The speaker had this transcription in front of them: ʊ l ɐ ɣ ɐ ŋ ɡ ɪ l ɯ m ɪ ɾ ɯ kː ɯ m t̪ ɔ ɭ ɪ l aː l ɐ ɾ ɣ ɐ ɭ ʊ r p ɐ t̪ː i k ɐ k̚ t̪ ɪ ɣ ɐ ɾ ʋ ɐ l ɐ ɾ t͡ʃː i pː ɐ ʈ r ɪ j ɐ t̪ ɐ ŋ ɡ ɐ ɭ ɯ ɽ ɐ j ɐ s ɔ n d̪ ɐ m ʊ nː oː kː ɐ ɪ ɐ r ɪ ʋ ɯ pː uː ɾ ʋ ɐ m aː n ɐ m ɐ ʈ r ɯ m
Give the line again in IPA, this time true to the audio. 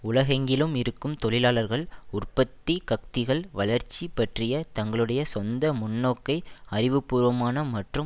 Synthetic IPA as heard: ʊ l ɐ ɣ ɐ ŋ ɡ ɪ l ɯ m ɪ ɾ ɯ kː ɯ m t̪ ɔ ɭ ɪ l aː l ɐ ɾ ɣ ɐ ɭ ʊ r p ɐ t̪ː i k ɐ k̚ t̪ ɪ ɣ ɐ ɭ ʋ ɐ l ɐ ɾ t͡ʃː i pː ɐ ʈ r ɪ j ɐ t̪ ɐ ŋ ɡ ɐ ɭ ɯ ɽ ɐ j ɐ s ɔ n d̪ ɐ m ʊ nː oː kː ɐ ɪ ɐ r ɪ ʋ ɯ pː uː ɾ ʋ ɐ m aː n ɐ m ɐ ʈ r ɯ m